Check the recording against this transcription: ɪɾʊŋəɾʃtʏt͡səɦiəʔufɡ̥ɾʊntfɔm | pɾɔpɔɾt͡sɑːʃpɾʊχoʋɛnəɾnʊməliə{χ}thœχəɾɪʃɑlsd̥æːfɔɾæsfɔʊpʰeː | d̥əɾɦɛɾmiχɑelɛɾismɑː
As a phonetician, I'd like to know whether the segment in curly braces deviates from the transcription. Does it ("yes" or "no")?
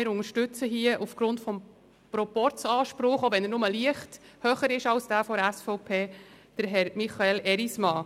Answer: no